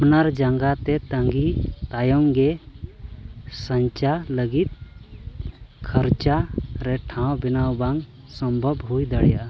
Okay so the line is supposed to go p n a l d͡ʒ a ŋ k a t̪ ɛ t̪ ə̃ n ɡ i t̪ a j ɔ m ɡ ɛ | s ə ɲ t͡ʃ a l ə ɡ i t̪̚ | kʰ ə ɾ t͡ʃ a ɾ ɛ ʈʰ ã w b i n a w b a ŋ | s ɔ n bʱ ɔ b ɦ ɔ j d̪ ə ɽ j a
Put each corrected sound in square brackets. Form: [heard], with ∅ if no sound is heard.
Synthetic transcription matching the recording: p n a [ɾ] d͡ʒ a ŋ [ɡ] a t̪ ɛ t̪ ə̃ [ŋ] ɡ i t̪ a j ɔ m ɡ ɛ | s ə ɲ t͡ʃ a l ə ɡ i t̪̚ | kʰ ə ɾ t͡ʃ a ɾ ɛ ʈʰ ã w b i n a w b a ŋ | s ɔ [m] bʱ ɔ b ɦ [u] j d̪ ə ɽ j a